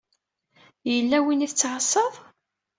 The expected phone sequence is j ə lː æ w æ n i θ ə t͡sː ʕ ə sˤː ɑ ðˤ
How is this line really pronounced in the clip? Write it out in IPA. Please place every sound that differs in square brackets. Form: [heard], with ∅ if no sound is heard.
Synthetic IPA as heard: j ə lː æ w [i] n i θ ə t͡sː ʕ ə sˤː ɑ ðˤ